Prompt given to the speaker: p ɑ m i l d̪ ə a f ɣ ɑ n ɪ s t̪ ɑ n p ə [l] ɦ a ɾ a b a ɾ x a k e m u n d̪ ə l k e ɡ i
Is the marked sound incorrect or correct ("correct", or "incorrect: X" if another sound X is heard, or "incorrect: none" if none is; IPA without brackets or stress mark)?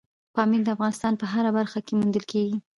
incorrect: none